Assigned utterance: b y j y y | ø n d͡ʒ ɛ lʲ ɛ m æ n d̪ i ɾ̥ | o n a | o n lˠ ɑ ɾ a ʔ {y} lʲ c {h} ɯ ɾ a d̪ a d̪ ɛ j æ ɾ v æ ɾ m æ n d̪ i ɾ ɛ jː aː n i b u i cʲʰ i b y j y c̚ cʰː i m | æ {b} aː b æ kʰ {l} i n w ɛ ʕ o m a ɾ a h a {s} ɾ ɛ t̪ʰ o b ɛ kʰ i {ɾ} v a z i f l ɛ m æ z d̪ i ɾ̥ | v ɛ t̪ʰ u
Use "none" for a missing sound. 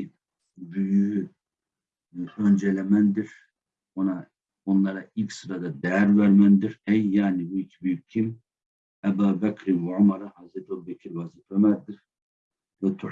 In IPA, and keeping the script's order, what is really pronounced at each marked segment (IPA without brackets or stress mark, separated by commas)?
i, s, b, ɾ, z, ɾ